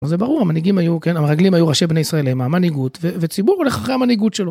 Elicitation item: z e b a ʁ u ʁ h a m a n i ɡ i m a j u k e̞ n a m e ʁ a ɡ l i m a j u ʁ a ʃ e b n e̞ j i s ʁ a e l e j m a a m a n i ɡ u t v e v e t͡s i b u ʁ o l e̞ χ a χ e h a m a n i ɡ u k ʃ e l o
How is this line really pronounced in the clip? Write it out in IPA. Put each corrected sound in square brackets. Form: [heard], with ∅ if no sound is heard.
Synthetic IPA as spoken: z e b a ʁ u ʁ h a m a n i ɡ i m a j u k e̞ n a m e ʁ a ɡ l i m a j u ʁ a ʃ e b n e̞ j i s ʁ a e l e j m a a m a n i ɡ u t v e v e t͡s i b u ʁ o l e̞ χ a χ e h a m a n i ɡ u [t] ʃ e l o